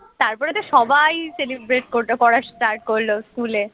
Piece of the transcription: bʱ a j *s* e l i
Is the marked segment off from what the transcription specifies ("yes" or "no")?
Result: no